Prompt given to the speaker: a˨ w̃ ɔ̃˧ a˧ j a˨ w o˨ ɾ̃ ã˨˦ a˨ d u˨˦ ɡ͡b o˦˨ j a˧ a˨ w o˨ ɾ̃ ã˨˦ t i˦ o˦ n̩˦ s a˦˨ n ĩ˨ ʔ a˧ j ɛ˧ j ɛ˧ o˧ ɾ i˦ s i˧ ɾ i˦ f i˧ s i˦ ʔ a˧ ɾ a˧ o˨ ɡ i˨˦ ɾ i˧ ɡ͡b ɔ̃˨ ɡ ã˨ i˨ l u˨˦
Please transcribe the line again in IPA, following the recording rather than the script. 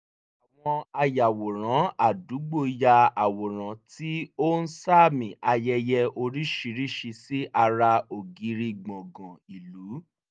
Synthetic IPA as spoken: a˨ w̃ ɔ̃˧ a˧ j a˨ w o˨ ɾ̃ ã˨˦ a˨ d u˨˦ ɡ͡b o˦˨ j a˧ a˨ w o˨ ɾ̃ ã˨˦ t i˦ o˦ n̩˦ s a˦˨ m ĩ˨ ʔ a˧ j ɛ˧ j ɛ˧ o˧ ɾ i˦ ʃ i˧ ɾ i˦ ʃ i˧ s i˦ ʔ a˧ ɾ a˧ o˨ ɡ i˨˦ ɾ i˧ ɡ͡b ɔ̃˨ ɡ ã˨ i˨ l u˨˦

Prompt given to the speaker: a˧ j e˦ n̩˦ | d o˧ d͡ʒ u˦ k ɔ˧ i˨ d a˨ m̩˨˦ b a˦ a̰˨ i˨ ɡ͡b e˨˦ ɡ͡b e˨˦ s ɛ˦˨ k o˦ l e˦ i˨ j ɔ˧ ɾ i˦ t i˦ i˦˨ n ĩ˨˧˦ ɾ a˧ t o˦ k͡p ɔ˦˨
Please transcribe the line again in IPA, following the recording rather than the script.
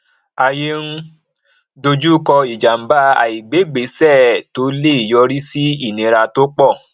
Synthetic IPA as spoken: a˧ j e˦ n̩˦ | d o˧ d͡ʒ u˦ k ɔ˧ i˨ d͡ʒ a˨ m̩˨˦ b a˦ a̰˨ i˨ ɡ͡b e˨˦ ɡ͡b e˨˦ s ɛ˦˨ t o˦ l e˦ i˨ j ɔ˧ ɾ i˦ s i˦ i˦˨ n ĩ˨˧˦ ɾ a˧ t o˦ k͡p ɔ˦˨

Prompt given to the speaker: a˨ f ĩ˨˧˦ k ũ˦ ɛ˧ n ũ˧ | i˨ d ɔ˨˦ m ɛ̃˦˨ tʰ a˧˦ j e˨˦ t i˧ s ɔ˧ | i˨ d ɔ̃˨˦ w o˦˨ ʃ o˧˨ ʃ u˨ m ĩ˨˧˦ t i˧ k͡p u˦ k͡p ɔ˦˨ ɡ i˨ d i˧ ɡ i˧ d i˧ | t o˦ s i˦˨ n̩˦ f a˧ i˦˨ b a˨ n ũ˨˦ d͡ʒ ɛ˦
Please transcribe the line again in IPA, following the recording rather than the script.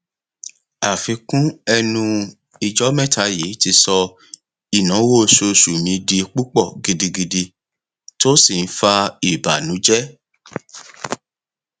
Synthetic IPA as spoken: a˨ f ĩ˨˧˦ k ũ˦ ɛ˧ n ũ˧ | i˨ d͡ʒ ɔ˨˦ m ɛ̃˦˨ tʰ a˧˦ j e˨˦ t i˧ s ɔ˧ | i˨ n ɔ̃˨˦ w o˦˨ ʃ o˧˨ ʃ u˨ m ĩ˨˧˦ d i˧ k͡p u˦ k͡p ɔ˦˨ ɡ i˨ d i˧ ɡ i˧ d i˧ | t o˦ s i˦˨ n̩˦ f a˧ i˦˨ b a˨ n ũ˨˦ d͡ʒ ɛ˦

